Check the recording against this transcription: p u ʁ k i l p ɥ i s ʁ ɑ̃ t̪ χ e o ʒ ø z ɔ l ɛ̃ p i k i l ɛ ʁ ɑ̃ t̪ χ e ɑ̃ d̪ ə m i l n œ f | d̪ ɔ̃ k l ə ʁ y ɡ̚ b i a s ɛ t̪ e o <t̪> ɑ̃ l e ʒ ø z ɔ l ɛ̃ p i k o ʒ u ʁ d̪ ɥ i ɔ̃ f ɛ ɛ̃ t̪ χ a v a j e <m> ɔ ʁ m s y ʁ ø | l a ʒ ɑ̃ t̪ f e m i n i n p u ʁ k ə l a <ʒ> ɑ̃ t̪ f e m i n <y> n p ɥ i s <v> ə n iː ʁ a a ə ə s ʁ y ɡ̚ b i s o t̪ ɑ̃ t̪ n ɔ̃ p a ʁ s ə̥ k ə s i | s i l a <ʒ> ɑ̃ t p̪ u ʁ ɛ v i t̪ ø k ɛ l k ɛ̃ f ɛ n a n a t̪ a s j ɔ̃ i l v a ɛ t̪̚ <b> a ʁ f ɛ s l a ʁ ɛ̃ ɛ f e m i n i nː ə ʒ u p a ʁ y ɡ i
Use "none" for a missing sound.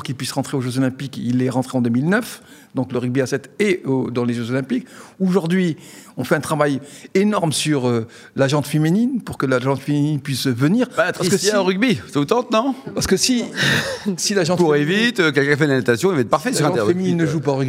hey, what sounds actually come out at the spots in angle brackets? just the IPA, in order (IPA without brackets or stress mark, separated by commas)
d̪, n, ʒ, i, v, ʒ, p